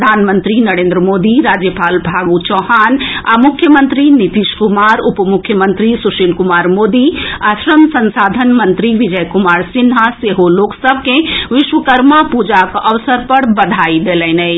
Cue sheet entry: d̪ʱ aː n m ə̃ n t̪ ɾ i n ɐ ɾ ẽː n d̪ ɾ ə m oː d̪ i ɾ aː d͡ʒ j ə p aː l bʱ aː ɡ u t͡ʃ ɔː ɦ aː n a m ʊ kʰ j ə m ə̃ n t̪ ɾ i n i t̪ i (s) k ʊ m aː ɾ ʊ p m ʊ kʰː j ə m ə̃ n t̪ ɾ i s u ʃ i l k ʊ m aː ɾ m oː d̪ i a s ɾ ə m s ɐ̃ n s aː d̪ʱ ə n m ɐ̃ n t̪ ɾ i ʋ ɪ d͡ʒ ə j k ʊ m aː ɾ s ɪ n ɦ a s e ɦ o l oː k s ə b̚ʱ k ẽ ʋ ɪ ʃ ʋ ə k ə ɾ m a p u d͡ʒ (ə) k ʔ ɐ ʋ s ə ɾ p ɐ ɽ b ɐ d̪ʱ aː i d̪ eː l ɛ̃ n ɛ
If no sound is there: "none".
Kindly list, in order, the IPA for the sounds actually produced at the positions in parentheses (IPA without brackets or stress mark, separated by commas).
ʃ, a